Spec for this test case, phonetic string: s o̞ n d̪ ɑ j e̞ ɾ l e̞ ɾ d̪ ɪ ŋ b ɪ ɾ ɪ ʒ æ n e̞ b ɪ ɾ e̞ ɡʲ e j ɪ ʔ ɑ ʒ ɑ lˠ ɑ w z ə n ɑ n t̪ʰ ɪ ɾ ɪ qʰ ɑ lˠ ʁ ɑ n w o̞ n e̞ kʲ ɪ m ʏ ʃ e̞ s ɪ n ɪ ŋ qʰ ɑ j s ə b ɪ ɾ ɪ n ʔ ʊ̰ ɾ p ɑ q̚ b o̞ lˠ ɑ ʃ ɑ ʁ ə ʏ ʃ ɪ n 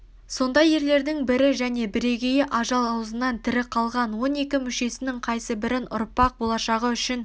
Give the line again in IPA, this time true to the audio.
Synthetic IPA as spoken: s o̞ n d̪ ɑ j e̞ ɾ l e̞ ɾ d̪ ɪ ŋ b ɪ ɾ ɪ ʒ æ n e̞ b ɪ ɾ e̞ ɡʲ e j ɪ ʔ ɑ ʒ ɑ lˠ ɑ w z ə n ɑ n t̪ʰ ɪ ɾ ɪ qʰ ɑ lˠ ʁ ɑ n w o̞ n e̞ kʲ ɪ m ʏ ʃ e̞ s ɪ n ɪ ŋ qʰ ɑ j s ə b ɪ ɾ ɪ n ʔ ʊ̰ ɾ p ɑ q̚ b o̞ lˠ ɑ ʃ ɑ ʁ ə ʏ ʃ ɪ n